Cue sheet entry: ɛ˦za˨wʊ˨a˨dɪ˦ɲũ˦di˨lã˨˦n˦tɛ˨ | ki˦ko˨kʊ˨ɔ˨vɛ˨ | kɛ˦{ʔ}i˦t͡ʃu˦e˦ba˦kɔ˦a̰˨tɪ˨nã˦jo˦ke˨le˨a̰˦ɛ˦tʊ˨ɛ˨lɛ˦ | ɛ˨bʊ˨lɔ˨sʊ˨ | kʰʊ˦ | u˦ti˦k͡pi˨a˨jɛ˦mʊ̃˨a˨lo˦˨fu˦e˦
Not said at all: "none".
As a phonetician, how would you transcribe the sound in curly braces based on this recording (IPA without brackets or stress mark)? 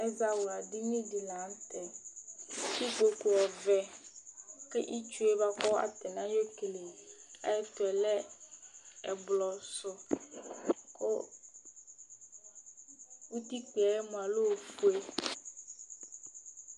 ʔ